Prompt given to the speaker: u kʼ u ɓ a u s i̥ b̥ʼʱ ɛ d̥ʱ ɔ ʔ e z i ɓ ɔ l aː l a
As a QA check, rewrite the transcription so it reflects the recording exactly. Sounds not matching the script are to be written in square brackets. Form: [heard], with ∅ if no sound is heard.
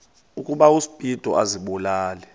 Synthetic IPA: u kʼ u ɓ a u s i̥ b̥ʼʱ [i] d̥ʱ ɔ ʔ [a] z i ɓ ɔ l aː l [ɛ]

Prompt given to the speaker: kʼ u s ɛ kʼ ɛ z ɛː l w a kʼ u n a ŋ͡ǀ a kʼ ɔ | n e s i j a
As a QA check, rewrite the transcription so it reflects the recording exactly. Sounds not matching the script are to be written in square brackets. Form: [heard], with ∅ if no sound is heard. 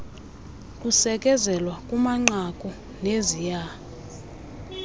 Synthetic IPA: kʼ u s ɛ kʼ ɛ z [ɛ] l w a kʼ u [m] a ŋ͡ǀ a kʼ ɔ | n e [z] i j a

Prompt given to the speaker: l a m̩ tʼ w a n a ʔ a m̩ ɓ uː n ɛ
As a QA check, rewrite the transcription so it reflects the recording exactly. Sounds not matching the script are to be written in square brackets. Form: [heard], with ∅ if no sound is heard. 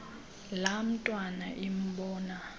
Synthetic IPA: l a m̩ tʼ w a n a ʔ [i] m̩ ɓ [ɔː] n [a]

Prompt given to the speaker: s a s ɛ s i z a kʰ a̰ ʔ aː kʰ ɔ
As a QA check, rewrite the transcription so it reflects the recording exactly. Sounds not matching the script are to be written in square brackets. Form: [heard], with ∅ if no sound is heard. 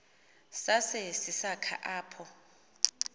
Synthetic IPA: s a s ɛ s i [s] a kʰ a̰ ʔ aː [pʰ] ɔ

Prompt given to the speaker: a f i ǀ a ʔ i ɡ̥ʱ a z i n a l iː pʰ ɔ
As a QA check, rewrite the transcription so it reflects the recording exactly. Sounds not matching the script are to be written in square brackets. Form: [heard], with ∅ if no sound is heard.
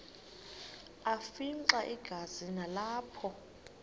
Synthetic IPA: a f i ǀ a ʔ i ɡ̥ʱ a z i n a l [aː] pʰ ɔ

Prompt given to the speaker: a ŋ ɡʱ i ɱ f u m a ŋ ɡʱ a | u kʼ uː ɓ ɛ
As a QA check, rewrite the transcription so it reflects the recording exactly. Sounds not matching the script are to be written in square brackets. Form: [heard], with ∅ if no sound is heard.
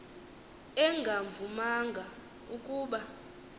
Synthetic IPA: [ɛ] ŋ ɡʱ [a] ɱ [v] u m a ŋ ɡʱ a | u kʼ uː ɓ [a]

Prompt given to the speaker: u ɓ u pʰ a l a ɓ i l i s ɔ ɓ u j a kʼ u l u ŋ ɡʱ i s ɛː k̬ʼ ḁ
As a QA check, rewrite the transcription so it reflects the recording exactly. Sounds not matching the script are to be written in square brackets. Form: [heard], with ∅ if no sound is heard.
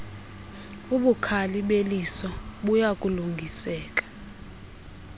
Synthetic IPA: u ɓ u [kʰ] a l [i] ɓ [e] l i s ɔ ɓ u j a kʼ u l u ŋ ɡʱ i s ɛː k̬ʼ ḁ

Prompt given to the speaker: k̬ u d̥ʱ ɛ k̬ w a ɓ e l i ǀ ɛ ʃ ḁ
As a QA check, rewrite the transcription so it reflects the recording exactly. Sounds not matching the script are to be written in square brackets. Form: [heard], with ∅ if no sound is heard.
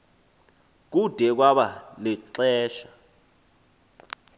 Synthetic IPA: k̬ u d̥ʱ ɛ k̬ w a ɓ [a] l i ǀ [ɛː] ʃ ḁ

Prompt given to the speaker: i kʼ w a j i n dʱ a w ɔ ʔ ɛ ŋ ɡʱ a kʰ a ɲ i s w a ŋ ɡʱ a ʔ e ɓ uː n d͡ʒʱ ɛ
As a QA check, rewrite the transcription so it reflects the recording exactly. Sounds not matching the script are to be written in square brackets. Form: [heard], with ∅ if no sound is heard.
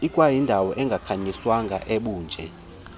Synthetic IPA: i kʼ w a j i n dʱ a w ɔ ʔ ɛ ŋ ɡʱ a kʰ a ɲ i s w a ŋ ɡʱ a ʔ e ɓ uː n d͡ʒʱ ɛ

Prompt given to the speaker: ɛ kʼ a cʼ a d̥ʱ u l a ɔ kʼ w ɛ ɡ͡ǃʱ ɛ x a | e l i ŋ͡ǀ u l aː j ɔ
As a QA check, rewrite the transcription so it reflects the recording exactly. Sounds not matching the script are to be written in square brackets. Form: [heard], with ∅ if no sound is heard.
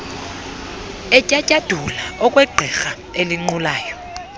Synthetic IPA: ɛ [cʼ] a cʼ a d̥ʱ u l a ɔ kʼ w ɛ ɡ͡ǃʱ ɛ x a | e l i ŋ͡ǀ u l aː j ɔ

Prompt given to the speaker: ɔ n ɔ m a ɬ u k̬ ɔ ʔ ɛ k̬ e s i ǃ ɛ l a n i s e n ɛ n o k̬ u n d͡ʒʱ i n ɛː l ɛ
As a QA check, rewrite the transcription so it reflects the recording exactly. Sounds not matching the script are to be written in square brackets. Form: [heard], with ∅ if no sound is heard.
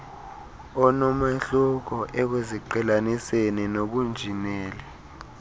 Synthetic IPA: ɔ n ɔ m a ɬ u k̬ ɔ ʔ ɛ k̬ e [z] i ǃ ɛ l a n i s e n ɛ n o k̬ u n d͡ʒʱ i n ɛː l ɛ

